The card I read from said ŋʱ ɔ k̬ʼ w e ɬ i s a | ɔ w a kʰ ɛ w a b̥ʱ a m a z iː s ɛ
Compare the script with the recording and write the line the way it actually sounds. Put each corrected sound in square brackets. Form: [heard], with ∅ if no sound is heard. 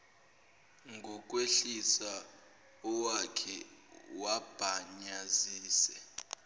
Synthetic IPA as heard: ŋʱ ɔ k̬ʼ w e ɬ i s a | ɔ w a kʰ ɛ w a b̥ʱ a [ɲ] a z iː s ɛ